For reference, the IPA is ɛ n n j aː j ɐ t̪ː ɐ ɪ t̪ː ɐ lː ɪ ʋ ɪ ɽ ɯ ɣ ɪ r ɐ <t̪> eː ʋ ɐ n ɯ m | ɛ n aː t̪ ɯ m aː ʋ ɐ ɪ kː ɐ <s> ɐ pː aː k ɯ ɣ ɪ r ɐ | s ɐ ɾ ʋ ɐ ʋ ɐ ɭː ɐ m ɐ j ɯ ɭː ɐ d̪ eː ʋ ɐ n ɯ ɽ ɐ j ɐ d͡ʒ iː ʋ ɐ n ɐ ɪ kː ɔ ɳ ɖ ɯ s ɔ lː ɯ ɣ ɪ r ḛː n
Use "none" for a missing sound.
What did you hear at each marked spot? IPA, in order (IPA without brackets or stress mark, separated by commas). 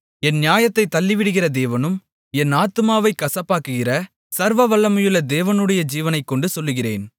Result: d̪, s